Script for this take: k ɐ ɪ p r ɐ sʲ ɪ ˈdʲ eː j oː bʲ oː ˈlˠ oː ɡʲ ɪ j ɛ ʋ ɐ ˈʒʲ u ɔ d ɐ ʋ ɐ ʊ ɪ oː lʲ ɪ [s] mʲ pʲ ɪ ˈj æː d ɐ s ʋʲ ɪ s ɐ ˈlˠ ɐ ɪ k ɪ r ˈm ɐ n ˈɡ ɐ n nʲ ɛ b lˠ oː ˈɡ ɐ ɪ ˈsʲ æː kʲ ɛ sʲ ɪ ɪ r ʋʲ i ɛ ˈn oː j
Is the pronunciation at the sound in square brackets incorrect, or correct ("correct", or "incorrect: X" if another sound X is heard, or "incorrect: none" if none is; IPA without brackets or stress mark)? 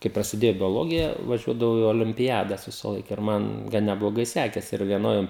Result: incorrect: none